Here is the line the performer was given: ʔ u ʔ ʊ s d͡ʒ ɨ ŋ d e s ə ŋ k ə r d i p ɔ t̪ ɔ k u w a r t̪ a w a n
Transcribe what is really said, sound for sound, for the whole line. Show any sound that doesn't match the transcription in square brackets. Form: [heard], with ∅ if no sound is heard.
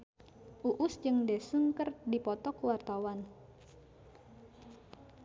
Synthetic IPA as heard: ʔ u ʔ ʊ s d͡ʒ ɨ ŋ d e s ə ŋ k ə r d i p ɔ t̪ ɔ k u w a r t̪ a w a n